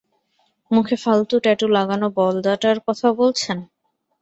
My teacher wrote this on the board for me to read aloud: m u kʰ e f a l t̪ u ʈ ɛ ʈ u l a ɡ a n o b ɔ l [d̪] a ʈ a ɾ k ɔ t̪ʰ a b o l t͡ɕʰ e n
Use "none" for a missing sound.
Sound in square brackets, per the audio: d̪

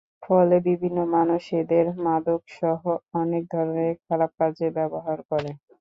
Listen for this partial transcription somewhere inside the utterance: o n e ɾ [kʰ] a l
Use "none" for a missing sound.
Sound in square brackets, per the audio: kʰ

